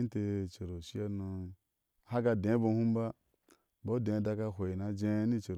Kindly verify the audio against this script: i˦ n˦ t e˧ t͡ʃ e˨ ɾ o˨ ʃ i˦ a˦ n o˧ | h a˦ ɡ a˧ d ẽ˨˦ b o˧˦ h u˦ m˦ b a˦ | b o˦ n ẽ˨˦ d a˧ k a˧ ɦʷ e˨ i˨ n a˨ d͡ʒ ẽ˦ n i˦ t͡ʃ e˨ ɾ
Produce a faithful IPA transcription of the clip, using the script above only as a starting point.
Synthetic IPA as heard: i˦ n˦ t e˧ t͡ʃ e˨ ɾ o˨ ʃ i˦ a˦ n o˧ | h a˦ ɡ a˧ d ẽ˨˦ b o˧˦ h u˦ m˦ b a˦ | b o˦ d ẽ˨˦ d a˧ k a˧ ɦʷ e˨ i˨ n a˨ d͡ʒ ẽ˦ n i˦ t͡ʃ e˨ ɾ